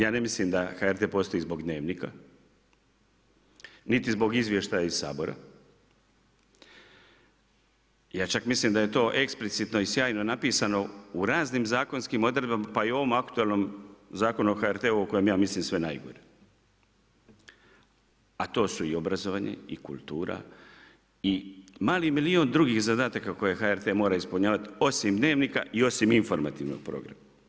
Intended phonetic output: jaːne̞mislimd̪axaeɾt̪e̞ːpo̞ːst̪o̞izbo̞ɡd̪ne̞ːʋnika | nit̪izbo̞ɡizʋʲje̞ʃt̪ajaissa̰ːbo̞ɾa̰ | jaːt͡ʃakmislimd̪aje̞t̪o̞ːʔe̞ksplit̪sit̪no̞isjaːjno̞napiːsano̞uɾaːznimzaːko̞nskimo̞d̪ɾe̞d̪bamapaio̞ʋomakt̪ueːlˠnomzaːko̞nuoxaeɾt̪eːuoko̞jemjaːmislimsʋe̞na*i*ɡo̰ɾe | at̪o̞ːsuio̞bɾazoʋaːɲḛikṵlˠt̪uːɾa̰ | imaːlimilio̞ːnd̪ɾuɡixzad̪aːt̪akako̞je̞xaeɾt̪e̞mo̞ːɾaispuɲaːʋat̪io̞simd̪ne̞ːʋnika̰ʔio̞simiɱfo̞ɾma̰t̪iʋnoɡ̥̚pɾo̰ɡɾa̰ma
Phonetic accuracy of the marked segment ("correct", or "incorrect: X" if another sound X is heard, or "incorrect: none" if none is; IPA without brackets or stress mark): incorrect: j